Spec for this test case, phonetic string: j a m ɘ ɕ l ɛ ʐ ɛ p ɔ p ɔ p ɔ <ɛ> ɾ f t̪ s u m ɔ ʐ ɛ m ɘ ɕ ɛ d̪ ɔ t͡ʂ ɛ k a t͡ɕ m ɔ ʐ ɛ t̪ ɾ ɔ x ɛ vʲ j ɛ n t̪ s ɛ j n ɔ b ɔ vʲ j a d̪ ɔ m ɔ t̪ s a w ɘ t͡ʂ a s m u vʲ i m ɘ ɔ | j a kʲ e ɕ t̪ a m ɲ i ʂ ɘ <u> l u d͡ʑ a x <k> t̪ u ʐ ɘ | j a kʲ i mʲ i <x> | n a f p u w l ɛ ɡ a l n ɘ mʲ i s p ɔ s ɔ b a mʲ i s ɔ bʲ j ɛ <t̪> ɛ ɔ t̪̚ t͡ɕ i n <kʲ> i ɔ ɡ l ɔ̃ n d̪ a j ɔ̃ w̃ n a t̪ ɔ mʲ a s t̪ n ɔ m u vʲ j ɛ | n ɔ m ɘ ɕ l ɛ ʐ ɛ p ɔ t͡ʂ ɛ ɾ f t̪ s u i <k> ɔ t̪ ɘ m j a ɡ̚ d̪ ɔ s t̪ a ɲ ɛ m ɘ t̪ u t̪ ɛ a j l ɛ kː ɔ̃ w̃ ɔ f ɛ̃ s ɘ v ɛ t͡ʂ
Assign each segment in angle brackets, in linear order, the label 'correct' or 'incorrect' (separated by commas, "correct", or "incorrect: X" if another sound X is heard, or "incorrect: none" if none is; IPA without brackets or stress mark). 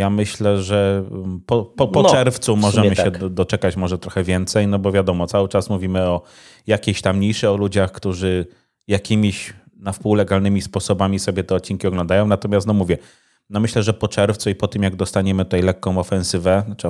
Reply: correct, incorrect: ɔ, correct, incorrect: ɕ, correct, correct, incorrect: p